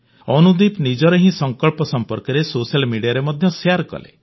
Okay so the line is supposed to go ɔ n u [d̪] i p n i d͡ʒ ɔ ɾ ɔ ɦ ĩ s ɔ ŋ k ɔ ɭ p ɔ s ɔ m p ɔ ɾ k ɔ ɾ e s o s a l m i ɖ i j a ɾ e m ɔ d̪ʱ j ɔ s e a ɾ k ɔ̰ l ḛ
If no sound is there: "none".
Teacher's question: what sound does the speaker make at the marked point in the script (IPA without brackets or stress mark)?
d̪